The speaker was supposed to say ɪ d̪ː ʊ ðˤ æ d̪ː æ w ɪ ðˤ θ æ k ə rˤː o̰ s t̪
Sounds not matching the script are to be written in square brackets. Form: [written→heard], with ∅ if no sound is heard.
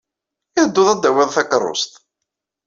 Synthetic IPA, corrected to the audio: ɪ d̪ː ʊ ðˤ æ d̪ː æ w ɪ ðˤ θ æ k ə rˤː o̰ s t̪